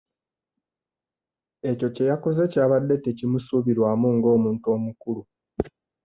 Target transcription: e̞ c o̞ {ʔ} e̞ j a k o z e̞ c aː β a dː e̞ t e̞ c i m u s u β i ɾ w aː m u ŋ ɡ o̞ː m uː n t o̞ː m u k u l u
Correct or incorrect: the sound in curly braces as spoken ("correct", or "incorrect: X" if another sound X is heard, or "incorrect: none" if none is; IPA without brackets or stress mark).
incorrect: c